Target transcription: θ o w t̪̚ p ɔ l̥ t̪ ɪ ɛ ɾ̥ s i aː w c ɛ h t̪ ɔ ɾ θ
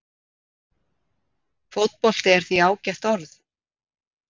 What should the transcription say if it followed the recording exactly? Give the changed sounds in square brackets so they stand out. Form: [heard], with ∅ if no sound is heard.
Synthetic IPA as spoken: [f] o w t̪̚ p ɔ l̥ t̪ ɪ ɛ ɾ̥ [θ] i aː w c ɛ h t̪ ɔ ɾ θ